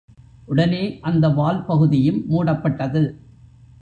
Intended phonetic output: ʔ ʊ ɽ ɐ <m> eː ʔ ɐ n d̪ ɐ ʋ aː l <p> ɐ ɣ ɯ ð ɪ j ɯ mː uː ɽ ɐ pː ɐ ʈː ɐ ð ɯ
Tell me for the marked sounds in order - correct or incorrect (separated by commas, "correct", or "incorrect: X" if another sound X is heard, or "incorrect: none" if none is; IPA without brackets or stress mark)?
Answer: incorrect: n, correct